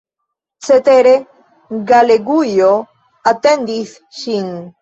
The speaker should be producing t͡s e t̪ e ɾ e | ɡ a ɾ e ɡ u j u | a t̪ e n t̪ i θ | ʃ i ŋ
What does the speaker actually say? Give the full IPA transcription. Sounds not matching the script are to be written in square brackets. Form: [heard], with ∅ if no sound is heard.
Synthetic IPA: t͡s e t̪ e ɾ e | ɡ a [l] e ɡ u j [o] | a t̪ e n [d̪] i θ | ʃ i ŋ